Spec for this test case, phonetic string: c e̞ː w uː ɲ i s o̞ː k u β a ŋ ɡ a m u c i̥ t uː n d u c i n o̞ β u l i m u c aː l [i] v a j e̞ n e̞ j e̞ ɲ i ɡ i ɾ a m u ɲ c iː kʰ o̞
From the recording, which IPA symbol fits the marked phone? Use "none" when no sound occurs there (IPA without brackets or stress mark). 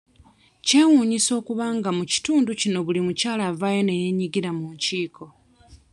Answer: a